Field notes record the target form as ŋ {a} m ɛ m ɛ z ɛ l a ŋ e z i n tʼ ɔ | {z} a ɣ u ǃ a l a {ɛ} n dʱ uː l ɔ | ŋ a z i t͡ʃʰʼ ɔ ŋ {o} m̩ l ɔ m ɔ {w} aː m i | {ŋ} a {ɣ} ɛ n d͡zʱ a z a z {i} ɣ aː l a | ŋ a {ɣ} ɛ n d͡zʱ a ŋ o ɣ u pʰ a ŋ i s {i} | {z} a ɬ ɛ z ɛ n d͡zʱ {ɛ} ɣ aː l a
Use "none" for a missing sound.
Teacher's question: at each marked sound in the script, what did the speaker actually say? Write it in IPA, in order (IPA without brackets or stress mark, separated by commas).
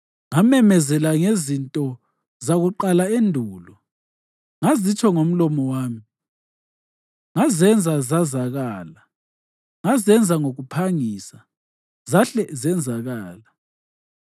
a, z, e, o, w, ŋ, z, a, z, a, z, a